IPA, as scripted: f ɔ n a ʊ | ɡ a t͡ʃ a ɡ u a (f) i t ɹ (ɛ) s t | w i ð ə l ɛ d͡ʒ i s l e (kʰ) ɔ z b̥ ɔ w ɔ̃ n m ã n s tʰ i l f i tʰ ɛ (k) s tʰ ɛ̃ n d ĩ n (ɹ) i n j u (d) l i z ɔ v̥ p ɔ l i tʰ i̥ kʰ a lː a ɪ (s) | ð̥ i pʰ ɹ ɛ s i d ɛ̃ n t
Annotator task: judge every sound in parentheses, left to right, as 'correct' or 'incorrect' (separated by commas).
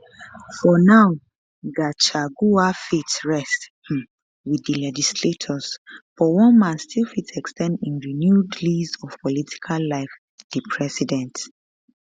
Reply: correct, correct, incorrect, correct, correct, correct, incorrect